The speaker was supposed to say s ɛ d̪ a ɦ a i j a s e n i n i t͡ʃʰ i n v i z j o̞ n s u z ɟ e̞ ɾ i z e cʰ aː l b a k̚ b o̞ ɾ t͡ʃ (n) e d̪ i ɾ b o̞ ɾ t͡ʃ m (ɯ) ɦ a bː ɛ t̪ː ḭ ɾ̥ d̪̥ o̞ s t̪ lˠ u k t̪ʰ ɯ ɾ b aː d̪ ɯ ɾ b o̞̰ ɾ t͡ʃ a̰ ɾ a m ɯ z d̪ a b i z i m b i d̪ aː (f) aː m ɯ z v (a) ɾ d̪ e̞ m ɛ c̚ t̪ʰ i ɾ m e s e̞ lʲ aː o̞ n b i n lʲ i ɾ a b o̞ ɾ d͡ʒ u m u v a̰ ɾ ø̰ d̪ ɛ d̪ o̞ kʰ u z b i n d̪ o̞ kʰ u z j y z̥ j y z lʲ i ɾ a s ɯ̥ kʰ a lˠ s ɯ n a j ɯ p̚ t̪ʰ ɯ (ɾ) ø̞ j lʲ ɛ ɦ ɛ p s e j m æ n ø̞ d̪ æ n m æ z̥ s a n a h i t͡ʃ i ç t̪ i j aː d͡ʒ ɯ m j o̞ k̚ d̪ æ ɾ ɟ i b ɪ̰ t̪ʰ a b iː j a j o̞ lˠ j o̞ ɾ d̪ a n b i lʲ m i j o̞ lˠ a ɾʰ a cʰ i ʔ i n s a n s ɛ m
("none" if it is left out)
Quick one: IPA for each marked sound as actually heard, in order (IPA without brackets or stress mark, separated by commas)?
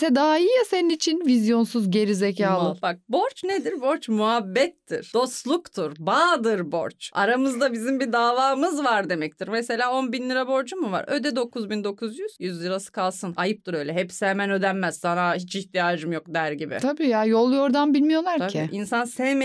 n, u, v, a, ɾ